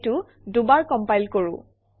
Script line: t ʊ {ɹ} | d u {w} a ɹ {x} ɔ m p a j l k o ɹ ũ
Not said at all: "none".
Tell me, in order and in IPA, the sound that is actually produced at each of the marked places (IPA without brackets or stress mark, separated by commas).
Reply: none, b, k